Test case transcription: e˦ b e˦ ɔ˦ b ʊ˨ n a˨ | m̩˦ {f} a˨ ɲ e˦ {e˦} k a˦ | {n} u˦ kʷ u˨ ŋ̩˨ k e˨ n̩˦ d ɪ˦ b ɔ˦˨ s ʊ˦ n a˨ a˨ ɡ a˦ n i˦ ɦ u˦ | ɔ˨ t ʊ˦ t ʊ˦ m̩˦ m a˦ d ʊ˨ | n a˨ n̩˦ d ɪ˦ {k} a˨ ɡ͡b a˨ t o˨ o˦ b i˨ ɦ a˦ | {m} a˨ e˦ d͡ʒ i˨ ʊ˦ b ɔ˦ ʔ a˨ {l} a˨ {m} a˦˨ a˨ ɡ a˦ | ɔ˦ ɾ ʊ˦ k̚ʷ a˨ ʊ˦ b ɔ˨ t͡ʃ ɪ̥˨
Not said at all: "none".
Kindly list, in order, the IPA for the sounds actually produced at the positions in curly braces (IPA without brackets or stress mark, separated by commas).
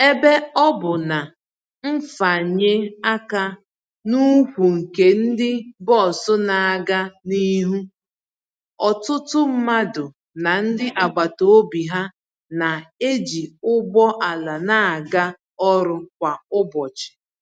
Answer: f, a˦, n, ʔ, n, l, n